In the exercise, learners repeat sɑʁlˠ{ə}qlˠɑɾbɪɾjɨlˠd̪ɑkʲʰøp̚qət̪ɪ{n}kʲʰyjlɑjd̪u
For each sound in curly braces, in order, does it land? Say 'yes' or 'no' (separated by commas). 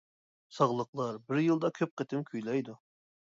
yes, no